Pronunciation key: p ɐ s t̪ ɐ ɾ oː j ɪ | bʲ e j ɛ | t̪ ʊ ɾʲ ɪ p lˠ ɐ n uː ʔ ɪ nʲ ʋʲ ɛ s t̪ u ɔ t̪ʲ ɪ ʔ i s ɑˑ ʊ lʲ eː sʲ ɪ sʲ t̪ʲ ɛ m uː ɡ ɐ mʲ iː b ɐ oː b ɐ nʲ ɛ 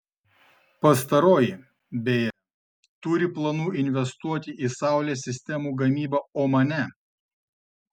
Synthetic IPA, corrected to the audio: p ɐ s t̪ ɐ ɾ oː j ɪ | bʲ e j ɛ | t̪ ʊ ɾʲ ɪ p lˠ ɐ n uː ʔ ɪ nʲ ʋʲ ɛ s t̪ u ɔ t̪ʲ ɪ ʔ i s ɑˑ ʊ lʲ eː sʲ ɪ sʲ t̪ʲ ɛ m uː ɡ ɐ mʲ iː b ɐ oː m ɐ nʲ ɛ